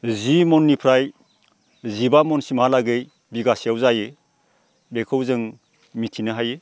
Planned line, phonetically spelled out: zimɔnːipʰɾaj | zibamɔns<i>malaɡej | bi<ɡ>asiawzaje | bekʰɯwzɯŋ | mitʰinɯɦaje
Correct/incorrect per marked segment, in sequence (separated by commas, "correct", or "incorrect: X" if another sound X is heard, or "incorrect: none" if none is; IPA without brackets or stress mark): correct, correct